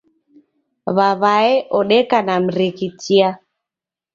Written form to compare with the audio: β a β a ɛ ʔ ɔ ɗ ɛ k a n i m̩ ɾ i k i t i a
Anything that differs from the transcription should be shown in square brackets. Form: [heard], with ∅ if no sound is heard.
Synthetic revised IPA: β a β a ɛ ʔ ɔ ɗ ɛ k a n [a] m̩ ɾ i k i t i a